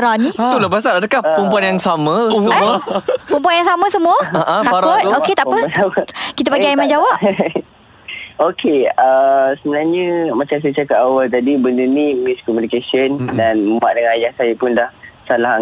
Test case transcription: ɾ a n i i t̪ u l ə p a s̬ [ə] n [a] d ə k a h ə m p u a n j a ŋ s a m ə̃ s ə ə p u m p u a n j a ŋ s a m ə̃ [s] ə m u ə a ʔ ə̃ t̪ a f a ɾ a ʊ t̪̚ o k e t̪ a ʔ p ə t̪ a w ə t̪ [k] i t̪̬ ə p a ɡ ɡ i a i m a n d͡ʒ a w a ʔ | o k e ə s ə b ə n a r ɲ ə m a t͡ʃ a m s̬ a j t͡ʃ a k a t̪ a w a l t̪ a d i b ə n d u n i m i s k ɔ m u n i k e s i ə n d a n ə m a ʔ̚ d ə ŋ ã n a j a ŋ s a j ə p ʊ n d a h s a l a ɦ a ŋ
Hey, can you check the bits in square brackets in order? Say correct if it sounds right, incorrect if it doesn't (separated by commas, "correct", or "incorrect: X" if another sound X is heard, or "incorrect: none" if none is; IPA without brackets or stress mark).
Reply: incorrect: a, correct, correct, correct